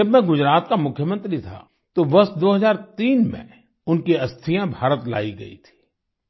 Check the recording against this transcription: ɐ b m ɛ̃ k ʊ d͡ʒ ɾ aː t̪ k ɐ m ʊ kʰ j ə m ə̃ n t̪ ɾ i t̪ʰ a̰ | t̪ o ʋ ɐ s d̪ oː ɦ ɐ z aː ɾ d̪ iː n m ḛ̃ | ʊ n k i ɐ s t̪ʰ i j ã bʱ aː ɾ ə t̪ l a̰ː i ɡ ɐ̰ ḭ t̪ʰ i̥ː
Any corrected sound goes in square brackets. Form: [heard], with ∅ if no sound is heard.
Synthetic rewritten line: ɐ b m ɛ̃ [ɡ] ʊ d͡ʒ ɾ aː t̪ k [a] m ʊ kʰ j ə m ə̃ n t̪ ɾ i t̪ʰ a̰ | t̪ o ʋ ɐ s d̪ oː ɦ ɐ z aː ɾ [t̪] iː n m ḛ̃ | ʊ n k i ɐ s t̪ʰ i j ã bʱ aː ɾ ə t̪ l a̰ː i ɡ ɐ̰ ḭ t̪ʰ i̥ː